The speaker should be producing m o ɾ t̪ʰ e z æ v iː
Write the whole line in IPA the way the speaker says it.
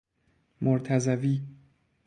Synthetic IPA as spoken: m o ɾ t̪ʰ æ z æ v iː